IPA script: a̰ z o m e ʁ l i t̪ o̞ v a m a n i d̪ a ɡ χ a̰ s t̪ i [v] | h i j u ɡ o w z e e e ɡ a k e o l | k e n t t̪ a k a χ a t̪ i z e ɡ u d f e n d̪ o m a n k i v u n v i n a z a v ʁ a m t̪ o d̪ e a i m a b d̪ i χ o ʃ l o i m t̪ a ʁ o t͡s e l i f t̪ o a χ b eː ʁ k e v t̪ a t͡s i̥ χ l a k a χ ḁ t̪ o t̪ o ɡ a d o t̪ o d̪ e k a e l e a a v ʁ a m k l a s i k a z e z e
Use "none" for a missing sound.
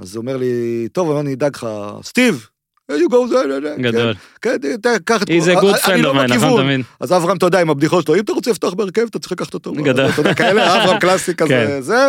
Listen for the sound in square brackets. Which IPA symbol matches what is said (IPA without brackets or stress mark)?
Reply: v